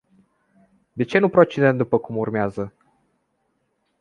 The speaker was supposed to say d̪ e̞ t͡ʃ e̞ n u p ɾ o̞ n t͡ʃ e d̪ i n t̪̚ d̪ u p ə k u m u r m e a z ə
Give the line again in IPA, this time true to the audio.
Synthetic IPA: d̪ e̞ t͡ʃ e̞ n u p ɾ o̞ t͡ʃ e d̪ e n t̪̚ d̪ u p ə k u m u r m e a z ə